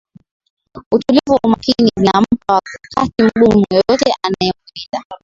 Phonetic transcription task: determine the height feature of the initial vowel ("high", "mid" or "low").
high